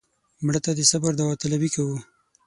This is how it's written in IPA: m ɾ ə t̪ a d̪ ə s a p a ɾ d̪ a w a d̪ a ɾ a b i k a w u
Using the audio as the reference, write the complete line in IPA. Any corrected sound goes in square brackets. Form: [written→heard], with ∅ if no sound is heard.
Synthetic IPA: m [ɾ→ɽ] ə t̪ a d̪ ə s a [p→b] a ɾ d̪ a w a [d̪→t̪] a [ɾ→l] a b i k a w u